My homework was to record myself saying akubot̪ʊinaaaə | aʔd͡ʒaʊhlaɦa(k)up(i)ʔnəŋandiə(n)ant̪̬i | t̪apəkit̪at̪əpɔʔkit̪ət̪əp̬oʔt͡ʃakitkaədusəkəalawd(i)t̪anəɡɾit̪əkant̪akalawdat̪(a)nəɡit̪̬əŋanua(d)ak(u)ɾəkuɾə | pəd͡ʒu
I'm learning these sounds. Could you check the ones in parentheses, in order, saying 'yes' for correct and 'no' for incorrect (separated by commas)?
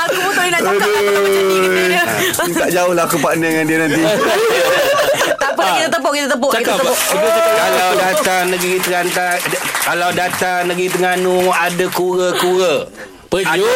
yes, no, yes, no, yes, yes, yes